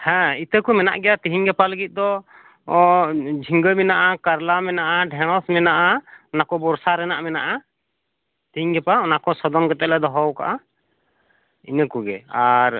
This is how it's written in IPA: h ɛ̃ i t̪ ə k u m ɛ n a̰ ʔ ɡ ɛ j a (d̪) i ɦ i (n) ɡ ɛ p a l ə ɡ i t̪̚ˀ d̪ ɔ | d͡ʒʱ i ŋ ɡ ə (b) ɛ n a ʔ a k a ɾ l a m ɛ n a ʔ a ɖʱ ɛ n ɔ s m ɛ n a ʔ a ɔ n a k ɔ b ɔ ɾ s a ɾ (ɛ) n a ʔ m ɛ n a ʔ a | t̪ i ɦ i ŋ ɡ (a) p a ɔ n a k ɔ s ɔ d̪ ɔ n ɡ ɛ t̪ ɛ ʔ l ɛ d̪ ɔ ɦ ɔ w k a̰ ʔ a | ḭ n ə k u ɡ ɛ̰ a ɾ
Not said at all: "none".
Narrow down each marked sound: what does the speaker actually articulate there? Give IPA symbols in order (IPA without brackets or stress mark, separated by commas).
t̪, ŋ, m, ɛ, ɛ